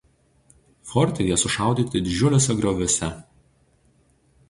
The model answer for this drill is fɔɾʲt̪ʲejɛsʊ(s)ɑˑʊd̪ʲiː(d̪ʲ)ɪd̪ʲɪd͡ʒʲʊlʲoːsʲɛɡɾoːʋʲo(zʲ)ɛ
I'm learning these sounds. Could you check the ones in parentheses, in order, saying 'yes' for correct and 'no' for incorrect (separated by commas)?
no, no, no